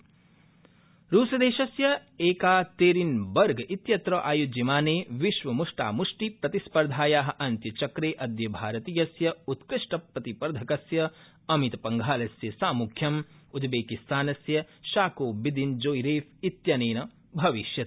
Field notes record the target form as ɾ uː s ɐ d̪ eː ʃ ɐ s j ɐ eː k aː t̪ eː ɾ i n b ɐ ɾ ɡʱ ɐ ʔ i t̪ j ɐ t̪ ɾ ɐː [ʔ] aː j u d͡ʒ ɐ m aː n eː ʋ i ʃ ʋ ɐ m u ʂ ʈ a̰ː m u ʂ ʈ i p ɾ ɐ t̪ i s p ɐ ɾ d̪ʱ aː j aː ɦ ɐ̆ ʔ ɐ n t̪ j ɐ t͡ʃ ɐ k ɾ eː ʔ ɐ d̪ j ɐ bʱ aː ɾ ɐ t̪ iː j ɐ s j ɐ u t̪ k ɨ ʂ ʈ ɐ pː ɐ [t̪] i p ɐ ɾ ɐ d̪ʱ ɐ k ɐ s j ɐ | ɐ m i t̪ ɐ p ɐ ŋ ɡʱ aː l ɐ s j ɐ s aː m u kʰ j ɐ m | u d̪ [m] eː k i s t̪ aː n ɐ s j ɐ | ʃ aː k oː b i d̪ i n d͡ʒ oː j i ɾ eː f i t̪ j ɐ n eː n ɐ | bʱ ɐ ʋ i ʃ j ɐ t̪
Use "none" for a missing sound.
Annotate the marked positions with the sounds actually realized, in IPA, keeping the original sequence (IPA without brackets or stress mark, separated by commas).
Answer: ʔ, t̪, b